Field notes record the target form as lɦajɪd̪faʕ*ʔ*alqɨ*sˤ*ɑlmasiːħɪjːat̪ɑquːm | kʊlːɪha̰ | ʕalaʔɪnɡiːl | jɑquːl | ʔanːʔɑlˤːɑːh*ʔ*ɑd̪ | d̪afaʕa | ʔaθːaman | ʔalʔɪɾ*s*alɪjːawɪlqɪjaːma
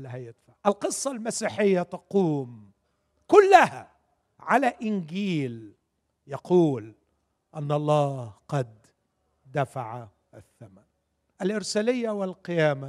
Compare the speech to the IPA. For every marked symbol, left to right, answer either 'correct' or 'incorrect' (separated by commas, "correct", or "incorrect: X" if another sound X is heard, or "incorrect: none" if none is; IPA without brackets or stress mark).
correct, incorrect: sˤː, incorrect: q, correct